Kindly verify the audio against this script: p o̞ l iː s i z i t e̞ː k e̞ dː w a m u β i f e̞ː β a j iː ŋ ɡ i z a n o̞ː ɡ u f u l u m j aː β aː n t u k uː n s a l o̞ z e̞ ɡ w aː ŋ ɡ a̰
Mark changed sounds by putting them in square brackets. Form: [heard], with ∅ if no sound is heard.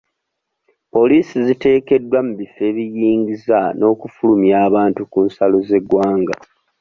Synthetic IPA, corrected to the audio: p o̞ l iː s i z i t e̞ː k e̞ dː w a m u β i f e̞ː β [i] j iː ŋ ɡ i z a n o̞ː [k] u f u l u m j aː β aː n t u k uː n s a l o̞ z e̞ ɡ w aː ŋ ɡ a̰

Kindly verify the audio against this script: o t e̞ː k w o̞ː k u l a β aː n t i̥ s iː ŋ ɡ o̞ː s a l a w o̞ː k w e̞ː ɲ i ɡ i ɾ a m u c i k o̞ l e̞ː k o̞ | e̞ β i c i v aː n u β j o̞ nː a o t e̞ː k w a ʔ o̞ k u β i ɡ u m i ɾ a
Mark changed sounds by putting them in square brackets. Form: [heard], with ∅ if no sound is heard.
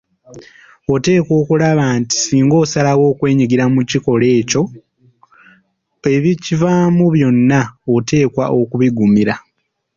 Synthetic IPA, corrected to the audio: o t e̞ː k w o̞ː k u l a β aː n t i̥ s iː ŋ ɡ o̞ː s a l a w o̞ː k w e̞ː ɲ i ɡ i ɾ a m u c i k o̞ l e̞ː [c] o̞ | e̞ β i c i v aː [m] u β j o̞ nː a o t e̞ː k w a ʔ o̞ k u β i ɡ u m i ɾ a

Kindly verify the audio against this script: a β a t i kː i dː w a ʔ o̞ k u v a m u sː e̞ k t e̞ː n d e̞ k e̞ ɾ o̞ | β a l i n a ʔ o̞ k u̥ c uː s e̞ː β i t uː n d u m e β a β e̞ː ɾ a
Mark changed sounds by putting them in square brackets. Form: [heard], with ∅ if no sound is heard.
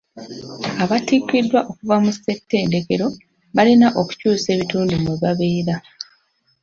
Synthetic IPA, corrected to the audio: a β a t i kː i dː w a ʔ o̞ k u v a m u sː e̞ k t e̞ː n d e̞ k e̞ ɾ o̞ | β a l i n a ʔ o̞ k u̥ c uː s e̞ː β i t uː n d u m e β a β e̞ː ɾ a

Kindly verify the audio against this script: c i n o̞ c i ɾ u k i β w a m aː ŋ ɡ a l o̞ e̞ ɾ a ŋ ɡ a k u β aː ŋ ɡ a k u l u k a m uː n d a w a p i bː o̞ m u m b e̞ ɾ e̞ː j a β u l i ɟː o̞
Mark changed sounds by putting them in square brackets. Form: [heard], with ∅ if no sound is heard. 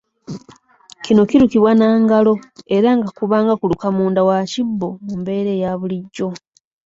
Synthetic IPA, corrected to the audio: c i n o̞ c i ɾ u k i β w a [n] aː ŋ ɡ a l o̞ e̞ ɾ a ŋ ɡ a k u β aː ŋ ɡ a k u l u k a m uː n d a w a [c] i bː o̞ m u m b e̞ ɾ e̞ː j a β u l i ɟː o̞

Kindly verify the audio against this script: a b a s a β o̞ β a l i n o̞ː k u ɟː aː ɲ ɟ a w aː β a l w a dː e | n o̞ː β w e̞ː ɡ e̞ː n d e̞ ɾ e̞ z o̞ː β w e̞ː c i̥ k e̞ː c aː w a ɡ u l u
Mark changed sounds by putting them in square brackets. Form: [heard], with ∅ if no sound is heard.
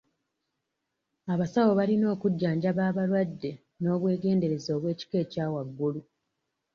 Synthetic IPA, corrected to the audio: a [β] a s a [w] o̞ β a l i n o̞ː k u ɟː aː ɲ ɟ a [β] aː β a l w a dː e | n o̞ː β w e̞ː ɡ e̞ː n d e̞ ɾ e̞ z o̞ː β w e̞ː c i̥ k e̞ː c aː w a [ɡː] u l u

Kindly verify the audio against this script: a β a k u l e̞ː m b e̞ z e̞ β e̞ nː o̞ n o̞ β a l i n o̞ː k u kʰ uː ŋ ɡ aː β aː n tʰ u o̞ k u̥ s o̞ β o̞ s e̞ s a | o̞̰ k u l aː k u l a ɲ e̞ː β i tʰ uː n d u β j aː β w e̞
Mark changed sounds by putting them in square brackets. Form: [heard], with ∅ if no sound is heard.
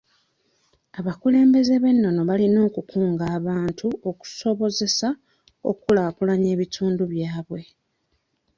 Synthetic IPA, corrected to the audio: a β a k u l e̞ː m b e̞ z e̞ β e̞ nː o̞ n o̞ β a l i n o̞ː k u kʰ uː ŋ ɡ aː β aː n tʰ u o̞ k u̥ s o̞ β o̞ [z] e̞ s a | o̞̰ k u l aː k u l a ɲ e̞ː β i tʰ uː n d u β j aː β w e̞

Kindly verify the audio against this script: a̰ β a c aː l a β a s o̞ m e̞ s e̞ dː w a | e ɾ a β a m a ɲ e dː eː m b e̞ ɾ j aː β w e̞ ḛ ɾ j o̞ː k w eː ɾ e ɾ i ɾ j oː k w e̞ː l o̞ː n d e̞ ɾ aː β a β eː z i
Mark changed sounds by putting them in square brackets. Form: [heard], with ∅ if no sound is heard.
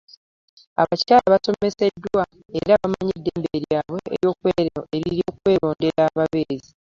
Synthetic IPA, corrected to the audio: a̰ β a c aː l a β a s o̞ m e̞ s e̞ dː w a | e ɾ a β a m a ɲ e dː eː m b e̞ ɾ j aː β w e̞ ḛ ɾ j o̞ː k w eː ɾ e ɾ i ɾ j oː k w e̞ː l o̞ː n d e̞ ɾ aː β a β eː z i

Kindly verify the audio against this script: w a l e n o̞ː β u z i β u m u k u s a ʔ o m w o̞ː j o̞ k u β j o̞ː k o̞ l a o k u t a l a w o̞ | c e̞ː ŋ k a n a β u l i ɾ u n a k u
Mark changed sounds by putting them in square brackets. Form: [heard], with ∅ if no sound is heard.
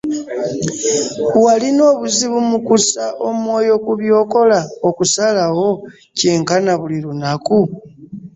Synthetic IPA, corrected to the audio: w a l [i] n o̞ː β u z i β u m u k u s a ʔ o m w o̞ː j o̞ k u β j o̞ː k o̞ l a o k u [s] a l a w o̞ | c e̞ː ŋ k a n a β u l i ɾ u n a k u

